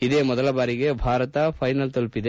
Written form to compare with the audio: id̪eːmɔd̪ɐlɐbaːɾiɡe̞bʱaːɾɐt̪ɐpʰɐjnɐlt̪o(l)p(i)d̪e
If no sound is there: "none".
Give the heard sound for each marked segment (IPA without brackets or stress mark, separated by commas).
l, i